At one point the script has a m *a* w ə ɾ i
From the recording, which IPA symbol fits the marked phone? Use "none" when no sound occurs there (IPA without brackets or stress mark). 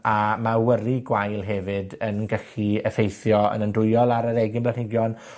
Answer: a